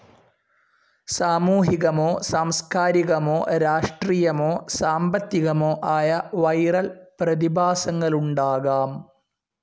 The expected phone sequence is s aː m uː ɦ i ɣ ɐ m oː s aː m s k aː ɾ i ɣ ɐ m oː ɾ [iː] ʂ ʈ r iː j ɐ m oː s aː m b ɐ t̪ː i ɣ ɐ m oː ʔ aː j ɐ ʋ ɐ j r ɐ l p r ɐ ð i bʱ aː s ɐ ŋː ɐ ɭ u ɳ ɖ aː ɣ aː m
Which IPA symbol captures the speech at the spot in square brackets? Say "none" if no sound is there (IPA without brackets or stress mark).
aː